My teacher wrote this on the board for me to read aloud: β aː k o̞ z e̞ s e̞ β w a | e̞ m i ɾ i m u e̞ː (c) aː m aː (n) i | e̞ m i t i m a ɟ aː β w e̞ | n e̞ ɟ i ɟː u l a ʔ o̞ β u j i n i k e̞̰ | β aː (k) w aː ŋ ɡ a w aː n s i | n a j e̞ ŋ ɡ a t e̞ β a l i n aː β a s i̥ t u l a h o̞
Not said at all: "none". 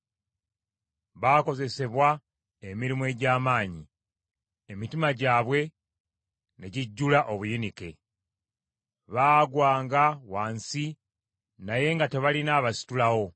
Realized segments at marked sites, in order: ɟ, ɲ, ɡ

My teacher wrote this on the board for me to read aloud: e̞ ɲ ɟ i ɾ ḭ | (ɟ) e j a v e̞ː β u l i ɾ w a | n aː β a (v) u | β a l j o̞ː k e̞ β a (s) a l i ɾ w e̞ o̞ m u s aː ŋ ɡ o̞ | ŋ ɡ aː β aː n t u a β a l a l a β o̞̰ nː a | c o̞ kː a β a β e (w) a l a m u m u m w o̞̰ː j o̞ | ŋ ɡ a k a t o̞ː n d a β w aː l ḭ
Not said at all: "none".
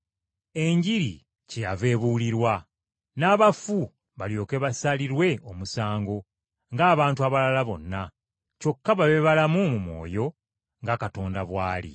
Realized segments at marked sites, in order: c, f, s, β

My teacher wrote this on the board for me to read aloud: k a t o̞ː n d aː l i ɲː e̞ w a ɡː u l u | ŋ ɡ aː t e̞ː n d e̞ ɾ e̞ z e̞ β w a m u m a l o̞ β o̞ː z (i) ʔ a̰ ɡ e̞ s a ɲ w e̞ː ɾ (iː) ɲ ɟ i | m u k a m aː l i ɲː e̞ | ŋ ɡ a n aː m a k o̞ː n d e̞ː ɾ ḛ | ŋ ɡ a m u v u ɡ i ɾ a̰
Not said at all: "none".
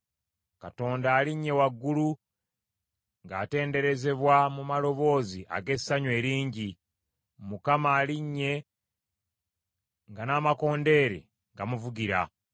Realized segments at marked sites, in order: i, iː

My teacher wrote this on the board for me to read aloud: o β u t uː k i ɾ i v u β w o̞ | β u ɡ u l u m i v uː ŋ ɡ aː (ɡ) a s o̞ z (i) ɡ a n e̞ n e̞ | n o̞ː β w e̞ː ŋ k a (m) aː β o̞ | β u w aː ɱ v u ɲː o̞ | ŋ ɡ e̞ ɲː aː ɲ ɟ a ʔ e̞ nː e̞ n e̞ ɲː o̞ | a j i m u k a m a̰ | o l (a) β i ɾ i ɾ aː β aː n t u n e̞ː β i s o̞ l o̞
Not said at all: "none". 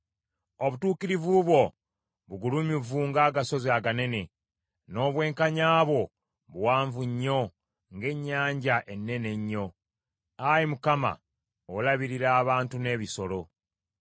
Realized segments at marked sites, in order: ɡ, a, ɲ, a

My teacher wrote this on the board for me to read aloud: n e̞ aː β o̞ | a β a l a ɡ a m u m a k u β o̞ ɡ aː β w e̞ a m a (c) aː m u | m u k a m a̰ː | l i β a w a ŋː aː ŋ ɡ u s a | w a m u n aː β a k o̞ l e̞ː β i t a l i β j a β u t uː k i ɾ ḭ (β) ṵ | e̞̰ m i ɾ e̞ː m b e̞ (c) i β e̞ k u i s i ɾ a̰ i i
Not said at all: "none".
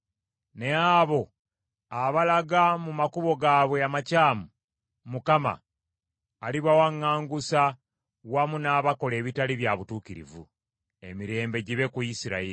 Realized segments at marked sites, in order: c, v, ɟ

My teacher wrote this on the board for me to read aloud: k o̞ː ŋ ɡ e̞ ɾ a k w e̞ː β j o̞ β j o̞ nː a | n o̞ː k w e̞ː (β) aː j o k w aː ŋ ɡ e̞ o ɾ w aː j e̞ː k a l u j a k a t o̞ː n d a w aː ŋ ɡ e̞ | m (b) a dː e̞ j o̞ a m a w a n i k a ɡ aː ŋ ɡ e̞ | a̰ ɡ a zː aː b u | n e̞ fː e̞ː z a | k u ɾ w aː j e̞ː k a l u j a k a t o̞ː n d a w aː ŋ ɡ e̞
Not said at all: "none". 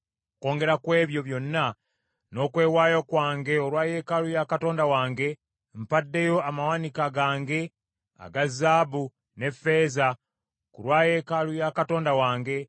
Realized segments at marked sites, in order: w, p

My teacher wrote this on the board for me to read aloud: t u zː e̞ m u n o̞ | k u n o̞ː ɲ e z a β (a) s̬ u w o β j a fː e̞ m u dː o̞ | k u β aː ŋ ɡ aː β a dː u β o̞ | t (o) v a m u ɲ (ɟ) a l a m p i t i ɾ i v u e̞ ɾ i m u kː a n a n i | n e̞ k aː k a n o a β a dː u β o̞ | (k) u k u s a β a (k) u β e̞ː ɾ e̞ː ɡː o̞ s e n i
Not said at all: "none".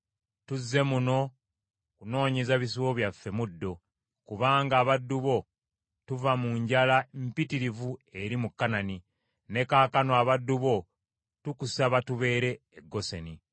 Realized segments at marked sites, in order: i, u, ɟ, t, t

